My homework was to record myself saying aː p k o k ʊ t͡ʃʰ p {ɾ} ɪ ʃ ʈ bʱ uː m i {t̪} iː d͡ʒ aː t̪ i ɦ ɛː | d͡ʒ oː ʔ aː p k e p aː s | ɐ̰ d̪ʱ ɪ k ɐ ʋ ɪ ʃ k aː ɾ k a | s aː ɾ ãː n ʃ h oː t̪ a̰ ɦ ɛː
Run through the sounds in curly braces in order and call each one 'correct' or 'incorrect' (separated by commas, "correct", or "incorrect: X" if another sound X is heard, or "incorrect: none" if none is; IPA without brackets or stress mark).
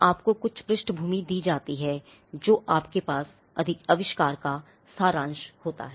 correct, incorrect: d̪